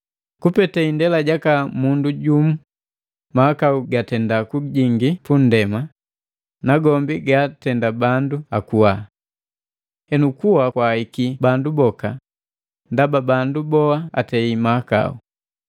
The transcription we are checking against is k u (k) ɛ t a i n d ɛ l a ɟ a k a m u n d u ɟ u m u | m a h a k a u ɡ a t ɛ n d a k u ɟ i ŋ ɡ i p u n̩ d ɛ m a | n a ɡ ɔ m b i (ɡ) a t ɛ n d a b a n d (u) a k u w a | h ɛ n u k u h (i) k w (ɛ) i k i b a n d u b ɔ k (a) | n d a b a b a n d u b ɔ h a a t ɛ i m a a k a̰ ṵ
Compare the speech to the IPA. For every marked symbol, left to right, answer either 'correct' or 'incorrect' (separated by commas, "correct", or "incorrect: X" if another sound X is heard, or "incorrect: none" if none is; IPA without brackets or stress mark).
incorrect: p, correct, correct, incorrect: a, incorrect: a, correct